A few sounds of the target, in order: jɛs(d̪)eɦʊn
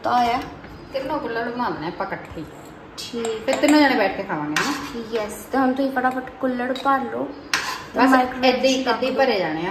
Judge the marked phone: incorrect: t̪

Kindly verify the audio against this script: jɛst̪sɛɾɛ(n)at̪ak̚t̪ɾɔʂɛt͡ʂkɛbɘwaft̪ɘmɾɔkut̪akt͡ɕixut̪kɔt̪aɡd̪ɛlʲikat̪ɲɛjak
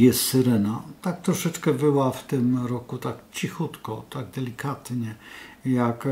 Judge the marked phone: correct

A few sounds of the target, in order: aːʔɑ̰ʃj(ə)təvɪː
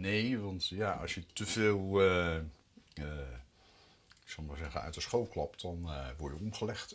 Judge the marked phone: correct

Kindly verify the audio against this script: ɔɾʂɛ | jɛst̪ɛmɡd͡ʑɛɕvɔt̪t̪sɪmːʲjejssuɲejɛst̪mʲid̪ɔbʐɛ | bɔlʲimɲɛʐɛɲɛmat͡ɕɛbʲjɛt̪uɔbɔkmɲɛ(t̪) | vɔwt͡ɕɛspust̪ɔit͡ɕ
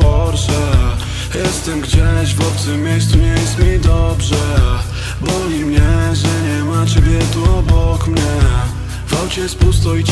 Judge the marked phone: incorrect: none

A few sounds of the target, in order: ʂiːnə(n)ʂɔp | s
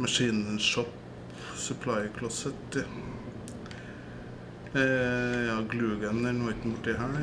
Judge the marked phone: correct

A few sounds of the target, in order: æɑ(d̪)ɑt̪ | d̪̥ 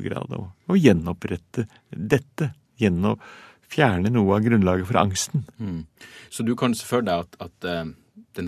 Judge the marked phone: incorrect: t̪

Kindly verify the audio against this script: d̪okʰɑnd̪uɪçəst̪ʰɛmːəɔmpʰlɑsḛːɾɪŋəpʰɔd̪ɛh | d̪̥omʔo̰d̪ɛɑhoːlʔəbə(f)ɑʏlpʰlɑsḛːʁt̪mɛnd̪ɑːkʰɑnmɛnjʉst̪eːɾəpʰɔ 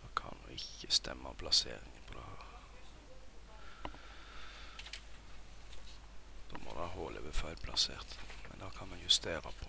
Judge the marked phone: correct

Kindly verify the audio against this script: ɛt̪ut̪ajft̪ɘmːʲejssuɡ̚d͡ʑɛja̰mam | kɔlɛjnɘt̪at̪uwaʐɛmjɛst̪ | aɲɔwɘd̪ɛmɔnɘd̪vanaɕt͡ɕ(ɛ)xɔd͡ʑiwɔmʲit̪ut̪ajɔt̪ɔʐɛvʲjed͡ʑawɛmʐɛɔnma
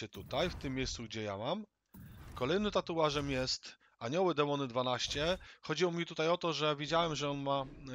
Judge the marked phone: correct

